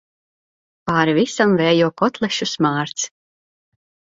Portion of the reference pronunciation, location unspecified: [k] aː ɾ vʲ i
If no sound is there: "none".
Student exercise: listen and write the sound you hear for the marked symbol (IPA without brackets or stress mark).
p